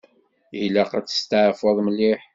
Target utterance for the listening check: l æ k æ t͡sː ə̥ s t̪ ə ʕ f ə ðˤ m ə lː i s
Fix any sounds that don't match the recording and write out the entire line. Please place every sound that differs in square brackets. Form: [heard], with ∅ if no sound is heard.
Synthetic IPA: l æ [q] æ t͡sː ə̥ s t̪ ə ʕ f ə ðˤ m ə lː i [ħ]